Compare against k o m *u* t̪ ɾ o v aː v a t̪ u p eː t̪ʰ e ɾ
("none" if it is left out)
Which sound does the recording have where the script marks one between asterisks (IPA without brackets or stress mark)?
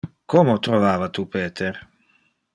o